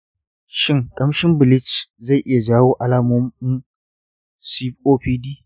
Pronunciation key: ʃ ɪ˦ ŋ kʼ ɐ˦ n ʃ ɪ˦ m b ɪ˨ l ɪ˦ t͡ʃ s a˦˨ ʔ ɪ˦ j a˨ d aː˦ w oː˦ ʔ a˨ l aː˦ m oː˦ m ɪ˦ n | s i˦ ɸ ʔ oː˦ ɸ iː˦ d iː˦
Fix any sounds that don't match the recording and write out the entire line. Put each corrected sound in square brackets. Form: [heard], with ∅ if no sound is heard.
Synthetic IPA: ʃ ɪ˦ ŋ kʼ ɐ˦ [m] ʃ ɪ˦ m b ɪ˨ l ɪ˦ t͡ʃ [z] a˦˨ ʔ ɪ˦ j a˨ [d͡ʒ] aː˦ w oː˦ ʔ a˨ l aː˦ m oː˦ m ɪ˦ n | s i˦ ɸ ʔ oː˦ ɸ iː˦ d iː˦